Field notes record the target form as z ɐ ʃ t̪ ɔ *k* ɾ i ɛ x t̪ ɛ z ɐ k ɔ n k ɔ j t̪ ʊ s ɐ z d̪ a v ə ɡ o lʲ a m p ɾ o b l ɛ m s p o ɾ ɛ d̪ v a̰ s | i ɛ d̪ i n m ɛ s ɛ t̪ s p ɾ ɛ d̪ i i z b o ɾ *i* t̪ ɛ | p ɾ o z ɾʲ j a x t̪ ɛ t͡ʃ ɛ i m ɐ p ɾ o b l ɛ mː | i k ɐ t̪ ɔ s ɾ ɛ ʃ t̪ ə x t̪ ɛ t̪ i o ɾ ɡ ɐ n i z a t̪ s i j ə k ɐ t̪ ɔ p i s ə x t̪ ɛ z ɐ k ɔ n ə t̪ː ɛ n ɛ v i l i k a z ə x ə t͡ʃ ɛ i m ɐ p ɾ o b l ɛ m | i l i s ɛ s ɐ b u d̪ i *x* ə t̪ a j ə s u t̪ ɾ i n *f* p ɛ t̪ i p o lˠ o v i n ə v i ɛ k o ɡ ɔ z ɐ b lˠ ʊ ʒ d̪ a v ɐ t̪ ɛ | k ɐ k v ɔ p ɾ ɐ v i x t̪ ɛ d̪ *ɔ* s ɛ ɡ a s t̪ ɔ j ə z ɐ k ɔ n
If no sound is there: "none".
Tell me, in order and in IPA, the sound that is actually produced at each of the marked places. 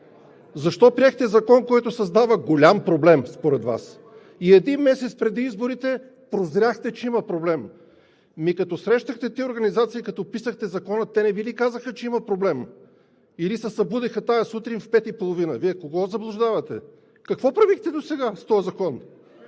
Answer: p, i, x, f, o

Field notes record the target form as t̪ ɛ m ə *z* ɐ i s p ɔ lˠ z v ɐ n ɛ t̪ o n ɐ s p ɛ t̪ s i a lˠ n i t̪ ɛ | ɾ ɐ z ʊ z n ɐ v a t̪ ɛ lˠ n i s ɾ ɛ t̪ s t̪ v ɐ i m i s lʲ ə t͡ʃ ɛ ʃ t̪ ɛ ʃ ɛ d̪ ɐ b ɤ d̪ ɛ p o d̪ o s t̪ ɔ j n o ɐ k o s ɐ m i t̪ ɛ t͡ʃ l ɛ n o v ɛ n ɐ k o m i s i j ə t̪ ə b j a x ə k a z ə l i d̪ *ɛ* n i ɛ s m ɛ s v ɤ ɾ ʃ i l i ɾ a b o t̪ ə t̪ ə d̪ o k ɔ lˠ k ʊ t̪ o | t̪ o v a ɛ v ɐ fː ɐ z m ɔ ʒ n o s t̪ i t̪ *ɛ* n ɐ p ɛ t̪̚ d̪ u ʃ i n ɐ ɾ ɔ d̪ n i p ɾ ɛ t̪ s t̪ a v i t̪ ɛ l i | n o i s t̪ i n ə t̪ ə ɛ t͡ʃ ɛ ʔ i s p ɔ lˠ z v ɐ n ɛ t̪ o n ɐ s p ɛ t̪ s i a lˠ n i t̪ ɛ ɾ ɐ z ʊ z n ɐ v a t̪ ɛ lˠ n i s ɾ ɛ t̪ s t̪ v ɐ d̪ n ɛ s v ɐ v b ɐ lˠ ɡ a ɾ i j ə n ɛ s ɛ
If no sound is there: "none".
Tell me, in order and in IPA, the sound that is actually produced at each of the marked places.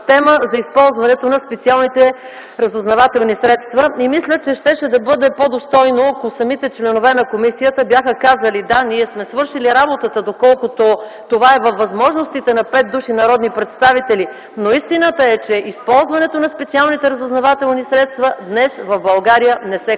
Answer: z, a, ɛ

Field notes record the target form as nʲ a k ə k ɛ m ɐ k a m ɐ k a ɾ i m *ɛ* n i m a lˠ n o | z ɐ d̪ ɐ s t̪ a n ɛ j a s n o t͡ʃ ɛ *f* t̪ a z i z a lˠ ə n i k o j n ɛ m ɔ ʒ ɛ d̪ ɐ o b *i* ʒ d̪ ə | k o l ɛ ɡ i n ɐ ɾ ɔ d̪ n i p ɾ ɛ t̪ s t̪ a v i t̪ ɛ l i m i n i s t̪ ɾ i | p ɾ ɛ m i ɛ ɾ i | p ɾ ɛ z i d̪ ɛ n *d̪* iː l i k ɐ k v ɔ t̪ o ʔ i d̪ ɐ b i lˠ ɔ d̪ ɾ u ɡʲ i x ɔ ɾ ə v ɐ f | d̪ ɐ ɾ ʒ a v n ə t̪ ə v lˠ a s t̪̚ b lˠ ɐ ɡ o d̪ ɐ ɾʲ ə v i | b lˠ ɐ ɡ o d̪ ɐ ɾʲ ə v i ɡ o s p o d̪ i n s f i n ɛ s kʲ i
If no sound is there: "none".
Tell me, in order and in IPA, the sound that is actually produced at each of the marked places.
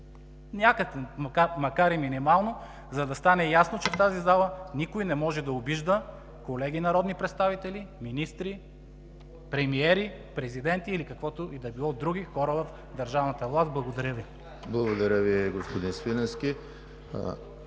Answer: i, f, i, t̪

